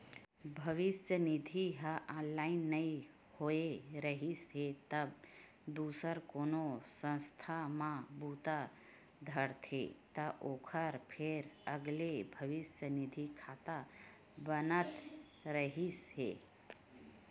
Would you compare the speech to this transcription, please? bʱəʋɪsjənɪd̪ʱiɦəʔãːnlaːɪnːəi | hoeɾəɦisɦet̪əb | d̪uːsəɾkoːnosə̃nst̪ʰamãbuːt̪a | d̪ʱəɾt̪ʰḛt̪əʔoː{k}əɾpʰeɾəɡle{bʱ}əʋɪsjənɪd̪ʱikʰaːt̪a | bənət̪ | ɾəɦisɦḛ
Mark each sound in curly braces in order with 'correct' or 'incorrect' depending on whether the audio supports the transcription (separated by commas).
incorrect, correct